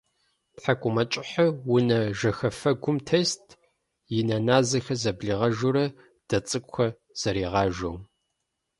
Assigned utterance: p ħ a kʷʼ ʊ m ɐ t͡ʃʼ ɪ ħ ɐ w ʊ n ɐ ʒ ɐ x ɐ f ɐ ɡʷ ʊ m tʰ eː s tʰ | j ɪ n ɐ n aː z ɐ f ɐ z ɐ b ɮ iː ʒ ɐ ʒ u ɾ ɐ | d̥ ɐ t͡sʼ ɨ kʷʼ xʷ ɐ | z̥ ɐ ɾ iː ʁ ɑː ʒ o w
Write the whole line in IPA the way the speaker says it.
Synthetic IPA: p ħ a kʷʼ ʊ m ɐ t͡ʃʼ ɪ ħ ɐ w ʊ n ɐ ʒ ɐ x ɐ f ɐ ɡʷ ʊ m tʰ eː s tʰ | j ɪ n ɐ n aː z ɐ x ɐ z ɐ b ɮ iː ʁ ɐ ʒ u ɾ ɐ | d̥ ɐ t͡sʼ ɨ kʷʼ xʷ ɐ | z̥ ɐ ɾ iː ʁ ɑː ʒ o w